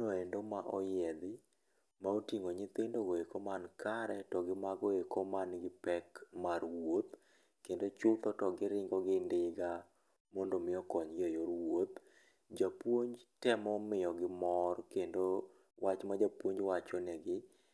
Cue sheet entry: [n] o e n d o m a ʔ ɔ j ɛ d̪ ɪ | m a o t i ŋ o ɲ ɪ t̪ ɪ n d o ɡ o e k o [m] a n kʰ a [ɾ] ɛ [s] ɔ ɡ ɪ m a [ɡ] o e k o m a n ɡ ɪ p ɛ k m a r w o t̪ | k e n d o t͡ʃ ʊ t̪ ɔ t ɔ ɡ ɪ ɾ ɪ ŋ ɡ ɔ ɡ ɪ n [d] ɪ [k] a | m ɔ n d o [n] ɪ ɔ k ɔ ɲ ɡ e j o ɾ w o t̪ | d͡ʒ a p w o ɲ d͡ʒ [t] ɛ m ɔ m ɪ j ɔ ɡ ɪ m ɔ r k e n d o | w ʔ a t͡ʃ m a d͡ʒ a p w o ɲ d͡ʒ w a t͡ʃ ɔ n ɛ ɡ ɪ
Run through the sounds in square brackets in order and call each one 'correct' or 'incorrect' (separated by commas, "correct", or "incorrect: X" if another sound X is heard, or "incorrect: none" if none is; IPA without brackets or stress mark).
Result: correct, correct, correct, incorrect: t, correct, correct, incorrect: ɡ, incorrect: m, correct